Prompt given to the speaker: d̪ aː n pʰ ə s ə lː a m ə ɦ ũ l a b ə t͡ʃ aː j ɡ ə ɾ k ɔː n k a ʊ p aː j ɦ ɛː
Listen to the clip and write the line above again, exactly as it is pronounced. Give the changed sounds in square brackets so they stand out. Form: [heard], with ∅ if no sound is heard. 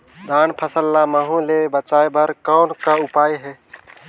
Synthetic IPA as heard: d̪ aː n pʰ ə s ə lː a m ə ɦ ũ l [e] b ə t͡ʃ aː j [b] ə ɾ k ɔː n k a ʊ p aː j ɦ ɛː